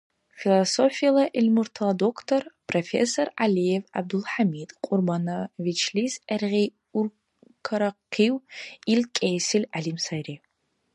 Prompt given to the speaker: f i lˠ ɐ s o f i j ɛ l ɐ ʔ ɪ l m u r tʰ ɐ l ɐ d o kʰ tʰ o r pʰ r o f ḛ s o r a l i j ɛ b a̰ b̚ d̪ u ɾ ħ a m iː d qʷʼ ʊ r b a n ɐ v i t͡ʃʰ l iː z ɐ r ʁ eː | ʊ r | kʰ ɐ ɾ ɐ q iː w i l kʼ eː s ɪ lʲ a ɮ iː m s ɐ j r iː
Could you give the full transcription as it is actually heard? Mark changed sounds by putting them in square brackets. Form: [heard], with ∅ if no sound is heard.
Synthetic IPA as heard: f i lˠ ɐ s o f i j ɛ l ɐ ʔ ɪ l m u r tʰ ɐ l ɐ d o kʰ tʰ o r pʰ r o f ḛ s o r a l i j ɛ [v] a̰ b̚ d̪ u [l] ħ a m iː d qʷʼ ʊ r b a n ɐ v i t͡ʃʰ l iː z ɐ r ʁ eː | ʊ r | kʰ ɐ ɾ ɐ q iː w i l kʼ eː s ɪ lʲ a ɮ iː m s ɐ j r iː